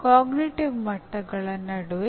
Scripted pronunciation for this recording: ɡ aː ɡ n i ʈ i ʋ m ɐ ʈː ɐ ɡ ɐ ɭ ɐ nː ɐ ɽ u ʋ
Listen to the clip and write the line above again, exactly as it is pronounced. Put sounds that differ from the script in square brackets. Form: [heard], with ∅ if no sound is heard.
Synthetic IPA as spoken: [k] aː ɡ n i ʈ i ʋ m ɐ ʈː ɐ ɡ ɐ ɭ ɐ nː ɐ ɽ u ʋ